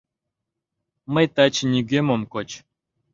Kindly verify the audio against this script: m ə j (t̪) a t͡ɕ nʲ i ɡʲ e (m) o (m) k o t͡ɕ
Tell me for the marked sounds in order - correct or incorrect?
correct, correct, correct

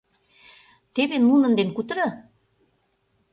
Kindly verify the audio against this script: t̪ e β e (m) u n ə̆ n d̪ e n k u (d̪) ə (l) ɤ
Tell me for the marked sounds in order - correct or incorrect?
incorrect: n, incorrect: t̪, incorrect: ɾ

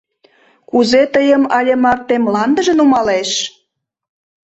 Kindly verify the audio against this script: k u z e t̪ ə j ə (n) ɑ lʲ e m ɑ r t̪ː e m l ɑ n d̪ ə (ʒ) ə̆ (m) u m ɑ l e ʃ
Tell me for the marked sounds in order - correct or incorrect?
incorrect: m, correct, incorrect: n

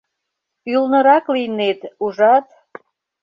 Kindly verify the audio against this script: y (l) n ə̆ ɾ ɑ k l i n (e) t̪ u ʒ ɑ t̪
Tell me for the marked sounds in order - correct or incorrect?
correct, correct

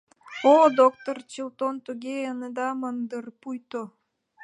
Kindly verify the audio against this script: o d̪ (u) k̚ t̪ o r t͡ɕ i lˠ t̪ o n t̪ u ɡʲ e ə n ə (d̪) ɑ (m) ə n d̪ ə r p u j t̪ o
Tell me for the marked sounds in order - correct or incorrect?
incorrect: o, correct, correct

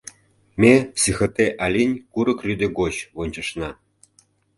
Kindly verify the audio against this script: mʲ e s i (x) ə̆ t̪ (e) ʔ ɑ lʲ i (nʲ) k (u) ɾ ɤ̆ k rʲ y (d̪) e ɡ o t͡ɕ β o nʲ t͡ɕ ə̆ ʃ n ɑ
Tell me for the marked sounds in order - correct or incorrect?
correct, correct, correct, correct, correct

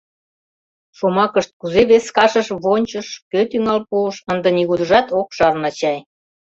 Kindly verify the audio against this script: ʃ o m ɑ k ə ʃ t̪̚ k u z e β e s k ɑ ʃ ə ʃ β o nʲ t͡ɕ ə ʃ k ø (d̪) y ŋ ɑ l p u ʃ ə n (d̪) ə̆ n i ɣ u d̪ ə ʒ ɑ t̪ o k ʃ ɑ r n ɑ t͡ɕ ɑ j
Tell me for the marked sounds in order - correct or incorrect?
incorrect: t̪, correct

